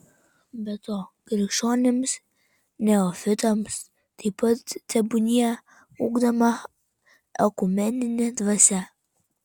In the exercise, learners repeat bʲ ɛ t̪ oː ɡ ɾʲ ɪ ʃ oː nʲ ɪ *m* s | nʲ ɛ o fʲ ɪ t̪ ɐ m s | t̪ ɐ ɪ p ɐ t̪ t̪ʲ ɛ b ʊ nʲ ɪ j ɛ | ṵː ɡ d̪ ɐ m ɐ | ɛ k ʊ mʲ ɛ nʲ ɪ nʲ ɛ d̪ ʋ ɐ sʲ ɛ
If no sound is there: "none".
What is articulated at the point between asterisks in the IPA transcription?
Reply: m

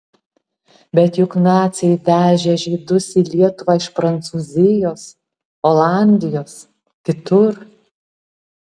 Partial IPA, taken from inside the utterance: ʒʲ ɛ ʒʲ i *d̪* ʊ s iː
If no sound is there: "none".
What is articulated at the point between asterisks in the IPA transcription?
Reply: d̪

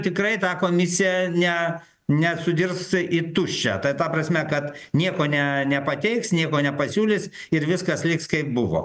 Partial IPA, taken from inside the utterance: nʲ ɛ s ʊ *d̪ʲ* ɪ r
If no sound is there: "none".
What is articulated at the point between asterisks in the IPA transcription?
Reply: d̪ʲ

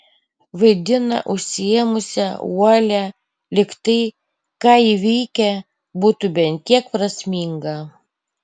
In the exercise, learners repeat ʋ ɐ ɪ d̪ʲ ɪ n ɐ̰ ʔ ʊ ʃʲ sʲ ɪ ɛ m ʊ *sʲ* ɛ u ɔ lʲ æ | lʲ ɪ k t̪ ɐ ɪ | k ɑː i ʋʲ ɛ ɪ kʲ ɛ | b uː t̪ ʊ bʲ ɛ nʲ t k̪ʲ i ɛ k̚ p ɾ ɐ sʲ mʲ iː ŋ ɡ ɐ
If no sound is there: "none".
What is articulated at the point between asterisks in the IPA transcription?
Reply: sʲ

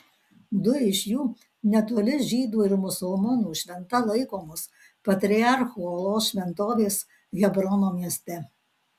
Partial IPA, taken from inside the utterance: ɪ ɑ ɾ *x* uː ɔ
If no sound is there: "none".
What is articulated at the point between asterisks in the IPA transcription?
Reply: x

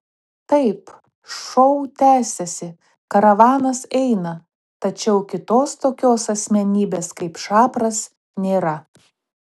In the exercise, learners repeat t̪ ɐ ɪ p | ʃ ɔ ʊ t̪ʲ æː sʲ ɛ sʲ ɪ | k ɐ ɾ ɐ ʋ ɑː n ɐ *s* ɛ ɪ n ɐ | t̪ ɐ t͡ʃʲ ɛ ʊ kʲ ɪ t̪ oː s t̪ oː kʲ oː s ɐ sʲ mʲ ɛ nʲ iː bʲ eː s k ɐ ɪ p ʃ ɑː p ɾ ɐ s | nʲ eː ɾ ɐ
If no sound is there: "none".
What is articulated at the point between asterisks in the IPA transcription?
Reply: s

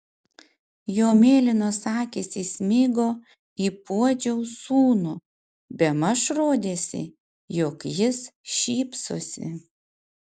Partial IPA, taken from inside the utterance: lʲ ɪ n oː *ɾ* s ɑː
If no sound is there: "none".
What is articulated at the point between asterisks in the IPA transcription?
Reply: none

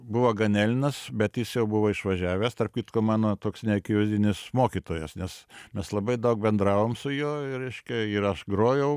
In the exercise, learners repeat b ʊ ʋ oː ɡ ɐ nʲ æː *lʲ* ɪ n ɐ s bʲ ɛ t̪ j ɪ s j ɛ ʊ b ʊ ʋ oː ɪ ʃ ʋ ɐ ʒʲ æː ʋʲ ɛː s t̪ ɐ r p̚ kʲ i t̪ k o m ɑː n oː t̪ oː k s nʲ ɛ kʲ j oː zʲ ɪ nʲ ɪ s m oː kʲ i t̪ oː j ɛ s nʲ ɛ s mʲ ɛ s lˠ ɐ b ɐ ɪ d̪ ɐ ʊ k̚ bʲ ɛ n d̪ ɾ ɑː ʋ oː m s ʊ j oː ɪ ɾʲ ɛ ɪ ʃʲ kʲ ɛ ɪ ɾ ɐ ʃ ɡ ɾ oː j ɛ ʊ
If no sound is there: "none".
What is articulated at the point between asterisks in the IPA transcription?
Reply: lʲ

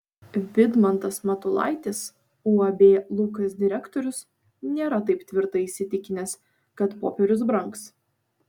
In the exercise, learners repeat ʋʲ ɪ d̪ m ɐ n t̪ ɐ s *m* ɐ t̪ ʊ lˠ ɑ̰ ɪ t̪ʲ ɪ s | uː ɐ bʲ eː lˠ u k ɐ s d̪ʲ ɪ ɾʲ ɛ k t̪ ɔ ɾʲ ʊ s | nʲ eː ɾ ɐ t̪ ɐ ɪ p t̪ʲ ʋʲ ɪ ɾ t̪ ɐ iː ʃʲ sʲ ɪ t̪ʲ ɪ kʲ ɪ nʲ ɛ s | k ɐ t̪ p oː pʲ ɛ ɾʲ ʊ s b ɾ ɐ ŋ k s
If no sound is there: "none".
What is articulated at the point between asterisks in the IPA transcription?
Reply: m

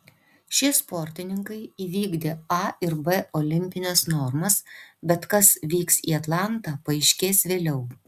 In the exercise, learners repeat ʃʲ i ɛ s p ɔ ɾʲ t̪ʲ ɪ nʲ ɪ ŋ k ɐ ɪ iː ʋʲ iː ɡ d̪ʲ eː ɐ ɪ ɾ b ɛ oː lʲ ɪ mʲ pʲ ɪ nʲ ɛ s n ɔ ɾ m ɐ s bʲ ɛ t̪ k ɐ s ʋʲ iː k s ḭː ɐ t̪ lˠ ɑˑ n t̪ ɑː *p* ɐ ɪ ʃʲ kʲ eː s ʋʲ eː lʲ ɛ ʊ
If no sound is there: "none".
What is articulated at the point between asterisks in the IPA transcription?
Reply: p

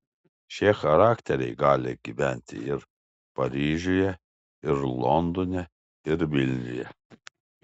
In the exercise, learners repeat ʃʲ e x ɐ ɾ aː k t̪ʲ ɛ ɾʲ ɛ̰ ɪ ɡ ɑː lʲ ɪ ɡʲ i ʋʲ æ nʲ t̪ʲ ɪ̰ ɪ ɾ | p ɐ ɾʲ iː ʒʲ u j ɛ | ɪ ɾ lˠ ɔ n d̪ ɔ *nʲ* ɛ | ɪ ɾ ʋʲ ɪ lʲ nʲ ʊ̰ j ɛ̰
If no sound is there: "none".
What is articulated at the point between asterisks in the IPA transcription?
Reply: nʲ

